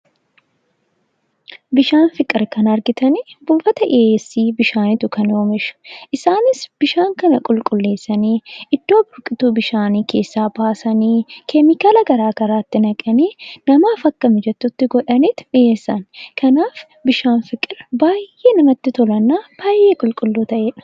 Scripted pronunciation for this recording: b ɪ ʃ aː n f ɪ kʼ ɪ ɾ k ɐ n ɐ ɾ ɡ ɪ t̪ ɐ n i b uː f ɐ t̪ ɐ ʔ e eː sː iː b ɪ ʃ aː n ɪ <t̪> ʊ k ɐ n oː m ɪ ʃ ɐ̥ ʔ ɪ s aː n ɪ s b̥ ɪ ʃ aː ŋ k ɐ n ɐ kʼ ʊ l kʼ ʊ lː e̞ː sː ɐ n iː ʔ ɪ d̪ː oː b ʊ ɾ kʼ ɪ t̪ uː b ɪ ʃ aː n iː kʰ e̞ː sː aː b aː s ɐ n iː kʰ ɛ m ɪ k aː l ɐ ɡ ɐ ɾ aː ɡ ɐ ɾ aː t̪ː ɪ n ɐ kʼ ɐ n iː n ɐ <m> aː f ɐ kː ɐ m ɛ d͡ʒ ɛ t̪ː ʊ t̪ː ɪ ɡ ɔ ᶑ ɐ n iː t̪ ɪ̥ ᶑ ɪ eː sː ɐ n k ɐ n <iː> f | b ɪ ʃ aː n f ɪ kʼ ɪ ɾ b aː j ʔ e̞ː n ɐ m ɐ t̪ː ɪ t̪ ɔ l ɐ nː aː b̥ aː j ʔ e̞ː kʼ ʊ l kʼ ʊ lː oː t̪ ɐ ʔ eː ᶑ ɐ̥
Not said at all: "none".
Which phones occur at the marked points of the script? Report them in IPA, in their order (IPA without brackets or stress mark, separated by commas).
t̪, m, aː